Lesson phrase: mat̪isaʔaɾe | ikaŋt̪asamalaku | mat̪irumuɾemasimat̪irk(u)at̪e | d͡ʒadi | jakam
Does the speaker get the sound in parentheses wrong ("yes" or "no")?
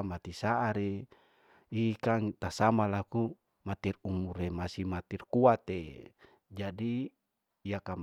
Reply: no